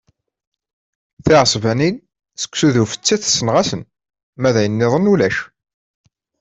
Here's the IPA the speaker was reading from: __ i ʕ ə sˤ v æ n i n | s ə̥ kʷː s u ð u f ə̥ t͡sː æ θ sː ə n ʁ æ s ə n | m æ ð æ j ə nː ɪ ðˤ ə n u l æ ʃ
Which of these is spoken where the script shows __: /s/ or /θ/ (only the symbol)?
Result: θ